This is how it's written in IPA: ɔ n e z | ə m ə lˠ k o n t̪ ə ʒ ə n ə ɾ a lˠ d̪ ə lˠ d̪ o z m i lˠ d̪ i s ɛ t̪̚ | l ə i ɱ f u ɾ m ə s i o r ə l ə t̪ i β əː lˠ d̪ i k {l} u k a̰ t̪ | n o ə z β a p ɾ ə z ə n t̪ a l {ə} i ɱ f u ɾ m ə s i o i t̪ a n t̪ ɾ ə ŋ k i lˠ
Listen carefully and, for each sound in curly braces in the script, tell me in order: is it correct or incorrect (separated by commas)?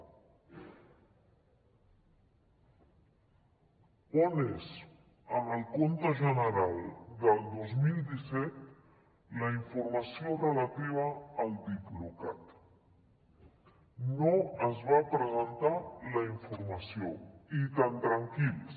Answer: correct, correct